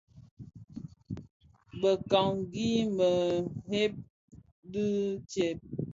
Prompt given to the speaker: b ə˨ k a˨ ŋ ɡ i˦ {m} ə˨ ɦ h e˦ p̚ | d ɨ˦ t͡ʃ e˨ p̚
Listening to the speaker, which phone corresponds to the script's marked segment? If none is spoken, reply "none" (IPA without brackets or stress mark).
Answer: m